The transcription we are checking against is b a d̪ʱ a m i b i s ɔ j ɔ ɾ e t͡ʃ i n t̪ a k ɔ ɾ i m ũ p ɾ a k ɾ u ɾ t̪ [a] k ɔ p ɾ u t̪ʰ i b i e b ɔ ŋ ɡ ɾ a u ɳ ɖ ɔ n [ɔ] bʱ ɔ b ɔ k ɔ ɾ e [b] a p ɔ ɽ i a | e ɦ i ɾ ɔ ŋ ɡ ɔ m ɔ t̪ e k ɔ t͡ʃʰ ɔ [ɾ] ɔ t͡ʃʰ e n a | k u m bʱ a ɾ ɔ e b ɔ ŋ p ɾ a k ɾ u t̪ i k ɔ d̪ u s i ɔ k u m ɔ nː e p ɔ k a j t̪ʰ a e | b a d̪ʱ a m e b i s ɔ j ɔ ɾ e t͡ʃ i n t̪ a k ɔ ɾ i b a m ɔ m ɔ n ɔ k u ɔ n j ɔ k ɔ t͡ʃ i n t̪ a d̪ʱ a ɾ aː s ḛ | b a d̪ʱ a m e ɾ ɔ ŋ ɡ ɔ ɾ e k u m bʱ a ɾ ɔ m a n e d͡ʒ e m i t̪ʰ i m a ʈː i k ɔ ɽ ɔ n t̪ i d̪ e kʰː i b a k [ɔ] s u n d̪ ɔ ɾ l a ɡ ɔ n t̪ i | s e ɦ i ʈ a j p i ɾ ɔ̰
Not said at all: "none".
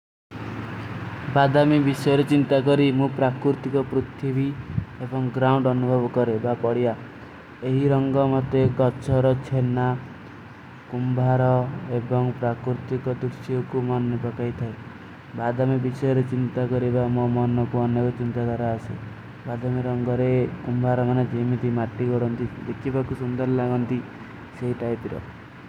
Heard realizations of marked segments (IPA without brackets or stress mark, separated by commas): i, u, b, ɾ, u